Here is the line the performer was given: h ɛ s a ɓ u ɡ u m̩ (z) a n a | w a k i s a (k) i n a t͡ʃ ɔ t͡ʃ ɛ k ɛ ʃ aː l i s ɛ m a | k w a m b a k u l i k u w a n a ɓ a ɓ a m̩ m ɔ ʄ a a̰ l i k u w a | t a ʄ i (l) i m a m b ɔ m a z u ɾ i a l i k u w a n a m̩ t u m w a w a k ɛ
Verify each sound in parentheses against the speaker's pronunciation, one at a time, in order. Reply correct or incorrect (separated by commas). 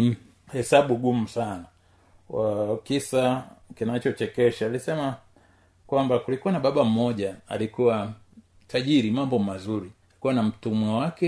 incorrect, correct, incorrect